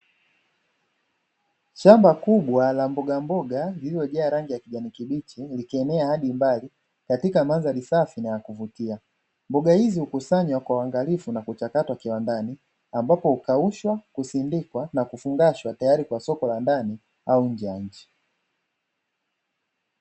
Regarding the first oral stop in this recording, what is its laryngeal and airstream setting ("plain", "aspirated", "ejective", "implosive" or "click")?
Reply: plain